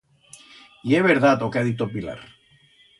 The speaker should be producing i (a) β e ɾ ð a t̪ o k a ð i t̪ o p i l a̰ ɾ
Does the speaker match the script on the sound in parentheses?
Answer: no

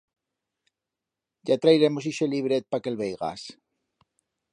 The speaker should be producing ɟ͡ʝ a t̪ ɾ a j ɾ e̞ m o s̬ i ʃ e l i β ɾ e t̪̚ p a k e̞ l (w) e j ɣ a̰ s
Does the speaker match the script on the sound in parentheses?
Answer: no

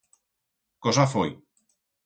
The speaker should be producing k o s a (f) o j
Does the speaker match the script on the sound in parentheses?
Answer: yes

